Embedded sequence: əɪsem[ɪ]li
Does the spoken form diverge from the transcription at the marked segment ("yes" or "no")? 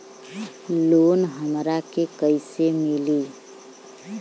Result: yes